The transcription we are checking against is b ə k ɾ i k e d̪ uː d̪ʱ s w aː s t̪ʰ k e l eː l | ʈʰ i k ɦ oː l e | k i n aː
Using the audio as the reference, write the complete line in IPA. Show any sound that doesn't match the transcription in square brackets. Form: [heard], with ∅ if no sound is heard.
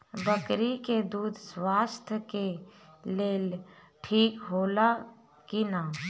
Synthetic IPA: b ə k ɾ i k e d̪ uː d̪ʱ s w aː s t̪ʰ k e l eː l | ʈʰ [iː] k ɦ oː l [a] | k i n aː